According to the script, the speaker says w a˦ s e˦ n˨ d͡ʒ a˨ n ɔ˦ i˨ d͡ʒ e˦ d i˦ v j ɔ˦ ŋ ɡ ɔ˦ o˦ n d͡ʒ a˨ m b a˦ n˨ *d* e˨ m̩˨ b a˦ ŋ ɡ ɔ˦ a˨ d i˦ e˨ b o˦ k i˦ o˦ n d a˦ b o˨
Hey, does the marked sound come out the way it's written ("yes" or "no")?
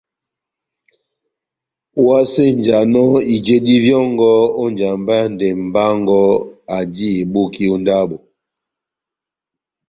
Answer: yes